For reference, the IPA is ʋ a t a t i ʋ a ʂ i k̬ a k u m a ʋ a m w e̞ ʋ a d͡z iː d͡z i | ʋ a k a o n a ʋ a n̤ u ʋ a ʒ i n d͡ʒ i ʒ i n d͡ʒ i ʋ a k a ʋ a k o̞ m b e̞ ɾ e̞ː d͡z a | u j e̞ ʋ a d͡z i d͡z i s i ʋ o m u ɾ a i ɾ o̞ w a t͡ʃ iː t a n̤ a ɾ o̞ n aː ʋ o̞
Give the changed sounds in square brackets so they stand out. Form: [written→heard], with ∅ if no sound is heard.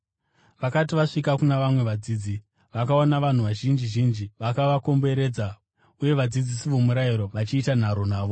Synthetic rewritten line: ʋ a [t→k] a t i ʋ a ʂ i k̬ a k u [m→n] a ʋ a m w e̞ ʋ a d͡z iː d͡z i | ʋ a k a o n a ʋ a n̤ u ʋ a ʒ i n d͡ʒ i ʒ i n d͡ʒ i ʋ a k a ʋ a k o̞ m b e̞ ɾ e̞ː d͡z a | u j e̞ ʋ a d͡z i d͡z i s i ʋ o m u ɾ a i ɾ o̞ [w→ʋ] a t͡ʃ iː t a n̤ a ɾ o̞ n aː ʋ o̞